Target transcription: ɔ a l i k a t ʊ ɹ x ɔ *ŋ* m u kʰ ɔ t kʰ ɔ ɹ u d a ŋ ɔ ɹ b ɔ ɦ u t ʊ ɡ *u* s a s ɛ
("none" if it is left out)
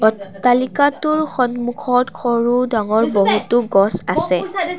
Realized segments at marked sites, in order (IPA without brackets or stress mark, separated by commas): n, ɔ